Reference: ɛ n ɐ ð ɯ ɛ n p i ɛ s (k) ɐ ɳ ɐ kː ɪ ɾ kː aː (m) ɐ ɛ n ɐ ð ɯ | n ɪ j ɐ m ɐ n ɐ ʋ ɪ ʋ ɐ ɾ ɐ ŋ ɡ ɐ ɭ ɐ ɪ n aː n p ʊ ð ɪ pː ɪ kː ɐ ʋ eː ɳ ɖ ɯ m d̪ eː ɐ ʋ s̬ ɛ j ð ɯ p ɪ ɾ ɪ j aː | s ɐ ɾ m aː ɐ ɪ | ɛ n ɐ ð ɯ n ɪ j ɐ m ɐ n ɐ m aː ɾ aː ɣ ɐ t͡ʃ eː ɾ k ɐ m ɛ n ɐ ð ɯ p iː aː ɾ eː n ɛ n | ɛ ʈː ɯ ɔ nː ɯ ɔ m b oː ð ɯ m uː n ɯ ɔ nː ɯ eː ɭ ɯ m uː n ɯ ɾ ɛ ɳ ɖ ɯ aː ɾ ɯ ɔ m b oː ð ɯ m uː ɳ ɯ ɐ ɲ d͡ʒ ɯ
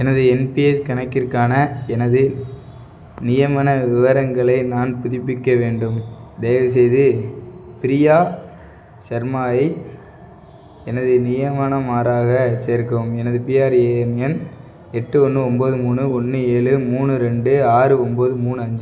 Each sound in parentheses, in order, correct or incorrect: correct, incorrect: n

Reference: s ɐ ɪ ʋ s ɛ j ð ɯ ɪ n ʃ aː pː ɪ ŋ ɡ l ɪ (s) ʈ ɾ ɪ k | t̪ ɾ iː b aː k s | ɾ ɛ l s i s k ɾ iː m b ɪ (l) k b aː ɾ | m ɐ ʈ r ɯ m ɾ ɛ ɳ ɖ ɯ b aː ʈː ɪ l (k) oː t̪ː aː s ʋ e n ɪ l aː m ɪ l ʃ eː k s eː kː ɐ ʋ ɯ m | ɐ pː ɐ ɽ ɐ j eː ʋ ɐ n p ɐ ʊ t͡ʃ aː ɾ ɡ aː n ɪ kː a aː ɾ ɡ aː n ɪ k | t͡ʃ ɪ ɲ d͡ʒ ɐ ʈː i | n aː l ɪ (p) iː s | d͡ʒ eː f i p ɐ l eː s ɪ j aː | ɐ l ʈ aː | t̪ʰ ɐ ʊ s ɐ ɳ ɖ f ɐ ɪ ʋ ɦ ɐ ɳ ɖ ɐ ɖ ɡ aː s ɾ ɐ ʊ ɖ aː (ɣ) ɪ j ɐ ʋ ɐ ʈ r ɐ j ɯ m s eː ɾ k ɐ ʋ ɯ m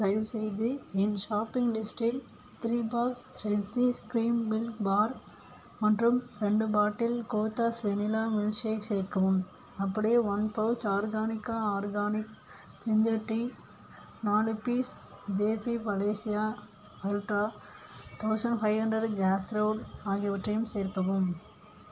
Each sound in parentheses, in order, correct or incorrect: correct, correct, correct, correct, correct

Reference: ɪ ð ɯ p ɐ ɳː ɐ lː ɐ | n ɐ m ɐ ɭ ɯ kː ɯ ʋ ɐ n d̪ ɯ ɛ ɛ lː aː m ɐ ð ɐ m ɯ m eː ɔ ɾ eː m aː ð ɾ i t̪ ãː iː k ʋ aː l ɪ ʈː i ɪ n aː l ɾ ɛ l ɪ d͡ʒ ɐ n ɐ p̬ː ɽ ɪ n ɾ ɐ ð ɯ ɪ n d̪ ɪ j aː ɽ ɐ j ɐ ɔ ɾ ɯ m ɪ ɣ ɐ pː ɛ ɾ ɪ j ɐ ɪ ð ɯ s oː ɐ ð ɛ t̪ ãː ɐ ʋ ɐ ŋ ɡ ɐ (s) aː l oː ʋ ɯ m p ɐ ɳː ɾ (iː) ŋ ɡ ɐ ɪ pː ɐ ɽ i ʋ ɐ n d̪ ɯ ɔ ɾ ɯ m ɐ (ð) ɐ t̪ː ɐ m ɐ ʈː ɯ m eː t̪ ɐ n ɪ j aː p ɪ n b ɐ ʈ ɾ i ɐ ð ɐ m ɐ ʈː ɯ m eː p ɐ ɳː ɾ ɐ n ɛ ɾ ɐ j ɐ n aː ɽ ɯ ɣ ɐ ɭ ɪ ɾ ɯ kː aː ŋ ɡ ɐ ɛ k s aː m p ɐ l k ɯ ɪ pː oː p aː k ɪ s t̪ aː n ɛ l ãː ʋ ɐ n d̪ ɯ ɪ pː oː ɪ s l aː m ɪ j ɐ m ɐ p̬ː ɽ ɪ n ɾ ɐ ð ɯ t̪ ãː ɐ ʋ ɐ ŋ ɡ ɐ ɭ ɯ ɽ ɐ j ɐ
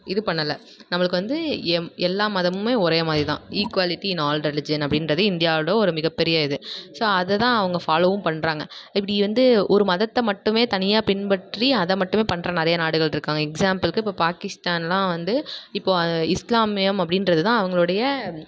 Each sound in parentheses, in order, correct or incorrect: incorrect: f, incorrect: aː, correct

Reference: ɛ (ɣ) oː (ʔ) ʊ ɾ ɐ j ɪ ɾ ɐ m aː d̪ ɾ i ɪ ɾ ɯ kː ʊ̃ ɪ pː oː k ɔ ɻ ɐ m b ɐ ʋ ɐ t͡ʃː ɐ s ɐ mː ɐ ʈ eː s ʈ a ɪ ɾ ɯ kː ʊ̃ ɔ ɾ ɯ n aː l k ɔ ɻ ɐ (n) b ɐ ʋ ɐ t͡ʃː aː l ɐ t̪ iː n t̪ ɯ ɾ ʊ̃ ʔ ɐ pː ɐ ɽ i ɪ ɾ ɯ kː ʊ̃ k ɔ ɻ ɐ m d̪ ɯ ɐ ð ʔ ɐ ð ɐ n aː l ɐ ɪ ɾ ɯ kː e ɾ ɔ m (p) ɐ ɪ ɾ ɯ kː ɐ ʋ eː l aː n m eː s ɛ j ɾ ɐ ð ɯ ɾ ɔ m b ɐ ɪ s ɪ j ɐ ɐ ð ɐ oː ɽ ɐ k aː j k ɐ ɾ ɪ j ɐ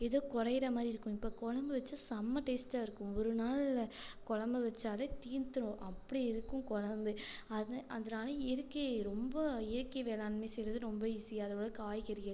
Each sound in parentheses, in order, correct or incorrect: incorrect: ð, incorrect: k, incorrect: m, incorrect: b

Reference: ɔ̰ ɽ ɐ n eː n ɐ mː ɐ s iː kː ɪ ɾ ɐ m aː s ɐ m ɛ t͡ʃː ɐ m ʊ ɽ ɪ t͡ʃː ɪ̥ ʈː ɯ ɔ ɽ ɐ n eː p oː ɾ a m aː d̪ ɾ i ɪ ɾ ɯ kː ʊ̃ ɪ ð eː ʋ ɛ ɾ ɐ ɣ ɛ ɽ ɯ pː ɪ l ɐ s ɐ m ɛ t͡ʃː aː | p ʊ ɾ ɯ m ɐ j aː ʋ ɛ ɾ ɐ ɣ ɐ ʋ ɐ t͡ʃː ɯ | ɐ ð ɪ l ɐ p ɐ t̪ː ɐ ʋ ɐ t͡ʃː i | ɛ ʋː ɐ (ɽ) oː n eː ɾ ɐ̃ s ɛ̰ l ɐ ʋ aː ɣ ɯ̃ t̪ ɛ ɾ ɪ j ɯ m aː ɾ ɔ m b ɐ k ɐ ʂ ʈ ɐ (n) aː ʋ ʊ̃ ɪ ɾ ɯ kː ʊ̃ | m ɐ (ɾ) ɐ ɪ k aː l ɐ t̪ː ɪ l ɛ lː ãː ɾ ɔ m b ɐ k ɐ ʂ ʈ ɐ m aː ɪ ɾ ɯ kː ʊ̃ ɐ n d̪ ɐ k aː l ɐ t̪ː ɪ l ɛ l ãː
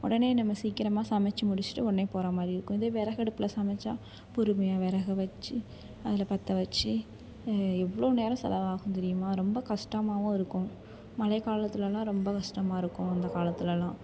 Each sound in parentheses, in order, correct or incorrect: incorrect: ɭ, incorrect: m, incorrect: l

